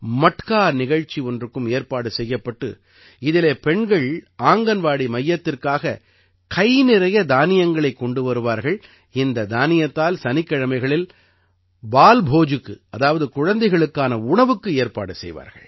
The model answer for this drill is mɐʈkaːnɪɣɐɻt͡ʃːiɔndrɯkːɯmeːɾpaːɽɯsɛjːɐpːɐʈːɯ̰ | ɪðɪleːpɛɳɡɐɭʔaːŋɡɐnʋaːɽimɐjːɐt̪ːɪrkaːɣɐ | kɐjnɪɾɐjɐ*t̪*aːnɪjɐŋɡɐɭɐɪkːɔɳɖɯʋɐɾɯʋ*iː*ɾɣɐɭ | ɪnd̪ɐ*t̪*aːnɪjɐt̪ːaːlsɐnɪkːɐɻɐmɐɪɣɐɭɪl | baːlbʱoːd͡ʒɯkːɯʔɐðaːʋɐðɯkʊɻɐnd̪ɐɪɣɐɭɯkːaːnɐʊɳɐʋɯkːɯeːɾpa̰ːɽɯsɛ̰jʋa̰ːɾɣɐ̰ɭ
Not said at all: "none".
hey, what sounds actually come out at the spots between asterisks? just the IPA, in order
d̪, aː, d̪

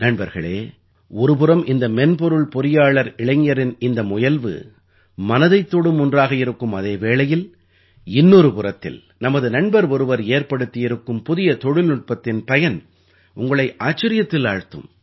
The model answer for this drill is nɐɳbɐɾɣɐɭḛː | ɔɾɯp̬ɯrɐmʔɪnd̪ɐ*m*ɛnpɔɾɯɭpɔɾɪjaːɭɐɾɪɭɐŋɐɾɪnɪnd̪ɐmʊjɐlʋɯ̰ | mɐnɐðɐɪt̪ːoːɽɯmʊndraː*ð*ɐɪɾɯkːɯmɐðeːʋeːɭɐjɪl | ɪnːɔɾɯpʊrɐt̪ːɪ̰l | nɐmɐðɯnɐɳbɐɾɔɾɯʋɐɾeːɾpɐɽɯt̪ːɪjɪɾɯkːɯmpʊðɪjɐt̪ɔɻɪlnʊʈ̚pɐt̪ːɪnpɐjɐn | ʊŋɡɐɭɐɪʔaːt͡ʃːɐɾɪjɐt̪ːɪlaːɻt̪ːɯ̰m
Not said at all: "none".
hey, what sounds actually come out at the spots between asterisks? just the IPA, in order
m, ɣ

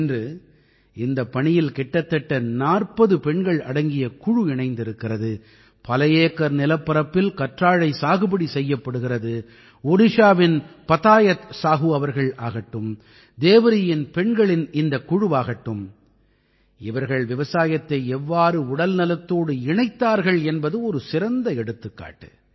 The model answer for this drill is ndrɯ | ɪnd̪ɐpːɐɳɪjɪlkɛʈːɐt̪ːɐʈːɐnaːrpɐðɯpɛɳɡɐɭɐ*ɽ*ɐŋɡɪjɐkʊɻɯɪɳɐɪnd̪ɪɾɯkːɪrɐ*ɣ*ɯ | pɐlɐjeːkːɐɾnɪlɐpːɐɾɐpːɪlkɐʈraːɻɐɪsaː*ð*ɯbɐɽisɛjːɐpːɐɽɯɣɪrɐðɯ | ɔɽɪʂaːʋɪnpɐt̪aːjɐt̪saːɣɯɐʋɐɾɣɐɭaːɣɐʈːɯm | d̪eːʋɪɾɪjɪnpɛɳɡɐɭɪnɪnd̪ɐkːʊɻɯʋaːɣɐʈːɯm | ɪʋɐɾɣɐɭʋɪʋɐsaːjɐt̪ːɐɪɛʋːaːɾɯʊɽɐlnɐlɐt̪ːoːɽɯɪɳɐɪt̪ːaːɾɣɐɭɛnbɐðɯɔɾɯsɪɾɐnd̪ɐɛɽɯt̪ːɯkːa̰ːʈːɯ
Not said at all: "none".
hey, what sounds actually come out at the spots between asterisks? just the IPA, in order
ɽ, ð, ɣ

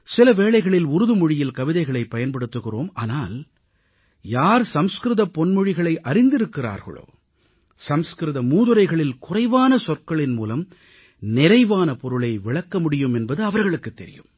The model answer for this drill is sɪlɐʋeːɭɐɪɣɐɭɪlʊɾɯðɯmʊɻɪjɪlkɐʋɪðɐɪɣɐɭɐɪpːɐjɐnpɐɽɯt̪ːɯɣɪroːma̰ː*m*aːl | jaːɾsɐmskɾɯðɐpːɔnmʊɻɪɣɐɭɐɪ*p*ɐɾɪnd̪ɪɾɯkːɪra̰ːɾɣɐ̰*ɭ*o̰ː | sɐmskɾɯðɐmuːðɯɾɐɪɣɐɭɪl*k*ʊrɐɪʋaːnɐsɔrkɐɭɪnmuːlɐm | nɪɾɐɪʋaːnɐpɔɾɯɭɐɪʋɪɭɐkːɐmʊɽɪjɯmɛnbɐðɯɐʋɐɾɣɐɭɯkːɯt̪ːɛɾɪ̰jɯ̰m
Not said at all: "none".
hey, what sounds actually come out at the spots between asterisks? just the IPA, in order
n, ʔ, ɭ, k

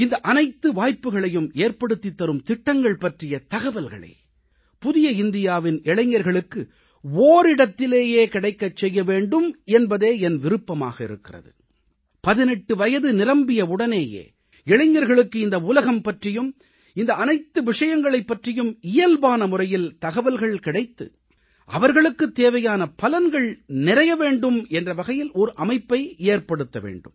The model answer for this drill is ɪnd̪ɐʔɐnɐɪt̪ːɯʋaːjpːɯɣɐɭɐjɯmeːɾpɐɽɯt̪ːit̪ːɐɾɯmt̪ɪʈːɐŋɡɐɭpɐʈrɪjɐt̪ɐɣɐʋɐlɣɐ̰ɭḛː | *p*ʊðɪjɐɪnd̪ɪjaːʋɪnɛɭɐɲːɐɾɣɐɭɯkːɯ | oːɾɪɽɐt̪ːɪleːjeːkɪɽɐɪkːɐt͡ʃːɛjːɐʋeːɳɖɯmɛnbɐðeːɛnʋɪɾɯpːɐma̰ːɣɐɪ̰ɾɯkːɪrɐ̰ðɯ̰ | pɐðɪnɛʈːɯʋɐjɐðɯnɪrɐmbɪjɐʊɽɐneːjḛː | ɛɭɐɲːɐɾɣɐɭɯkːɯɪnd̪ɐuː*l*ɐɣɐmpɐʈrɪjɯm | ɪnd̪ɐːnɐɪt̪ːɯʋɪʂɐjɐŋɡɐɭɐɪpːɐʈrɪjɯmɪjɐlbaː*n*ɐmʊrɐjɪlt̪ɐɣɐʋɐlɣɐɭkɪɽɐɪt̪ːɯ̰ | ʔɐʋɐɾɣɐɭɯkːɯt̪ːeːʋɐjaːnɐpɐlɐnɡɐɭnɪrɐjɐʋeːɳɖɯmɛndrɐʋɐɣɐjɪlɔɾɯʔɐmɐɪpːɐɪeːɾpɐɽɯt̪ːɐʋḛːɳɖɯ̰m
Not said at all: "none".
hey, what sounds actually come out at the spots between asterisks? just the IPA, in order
p, l, n

